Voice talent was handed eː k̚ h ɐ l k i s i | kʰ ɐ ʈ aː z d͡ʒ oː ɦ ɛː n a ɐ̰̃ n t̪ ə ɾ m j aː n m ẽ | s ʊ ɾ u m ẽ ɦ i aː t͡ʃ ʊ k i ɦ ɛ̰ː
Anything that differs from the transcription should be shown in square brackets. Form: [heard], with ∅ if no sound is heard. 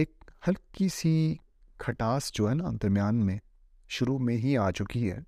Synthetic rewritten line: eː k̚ h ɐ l k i s i | kʰ ɐ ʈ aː [s] d͡ʒ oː ɦ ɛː n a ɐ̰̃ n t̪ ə ɾ m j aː n m ẽ | [ʃ] ʊ ɾ u m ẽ ɦ i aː t͡ʃ ʊ k i ɦ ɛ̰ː